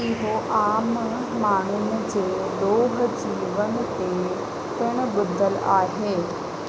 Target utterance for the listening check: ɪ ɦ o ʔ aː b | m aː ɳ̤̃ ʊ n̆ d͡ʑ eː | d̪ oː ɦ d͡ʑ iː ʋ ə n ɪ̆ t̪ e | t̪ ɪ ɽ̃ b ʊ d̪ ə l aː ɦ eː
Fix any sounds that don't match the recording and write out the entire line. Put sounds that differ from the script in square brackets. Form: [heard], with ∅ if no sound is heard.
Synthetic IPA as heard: ɪ ɦ o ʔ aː [m] | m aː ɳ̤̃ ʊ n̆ d͡ʑ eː | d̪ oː ɦ d͡ʑ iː ʋ ə n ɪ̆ t̪ e | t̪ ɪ ɽ̃ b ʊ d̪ ə l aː ɦ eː